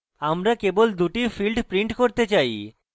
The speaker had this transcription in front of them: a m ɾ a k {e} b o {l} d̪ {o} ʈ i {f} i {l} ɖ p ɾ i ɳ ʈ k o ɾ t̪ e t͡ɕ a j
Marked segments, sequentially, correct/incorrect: correct, correct, incorrect: u, correct, correct

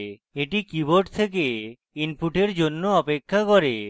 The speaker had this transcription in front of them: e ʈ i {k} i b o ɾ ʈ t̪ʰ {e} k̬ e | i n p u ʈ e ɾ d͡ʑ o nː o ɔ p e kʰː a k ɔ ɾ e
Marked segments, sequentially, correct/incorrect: correct, correct

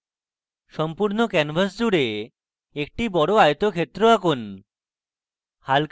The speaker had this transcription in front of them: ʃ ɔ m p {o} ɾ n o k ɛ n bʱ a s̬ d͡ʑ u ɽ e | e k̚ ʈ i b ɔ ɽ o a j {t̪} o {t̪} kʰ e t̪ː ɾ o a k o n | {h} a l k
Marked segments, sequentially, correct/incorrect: incorrect: u, correct, incorrect: none, correct

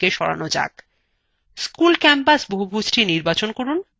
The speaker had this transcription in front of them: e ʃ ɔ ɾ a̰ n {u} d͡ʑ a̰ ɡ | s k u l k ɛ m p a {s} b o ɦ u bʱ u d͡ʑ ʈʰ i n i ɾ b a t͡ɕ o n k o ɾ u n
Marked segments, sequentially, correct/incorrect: incorrect: o, correct

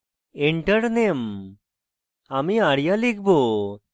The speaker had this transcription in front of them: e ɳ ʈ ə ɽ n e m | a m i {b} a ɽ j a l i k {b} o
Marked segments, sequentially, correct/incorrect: incorrect: none, correct

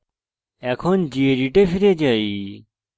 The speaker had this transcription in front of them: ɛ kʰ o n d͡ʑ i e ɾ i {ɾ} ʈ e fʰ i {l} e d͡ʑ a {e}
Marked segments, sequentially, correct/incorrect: incorrect: none, incorrect: ɾ, incorrect: i

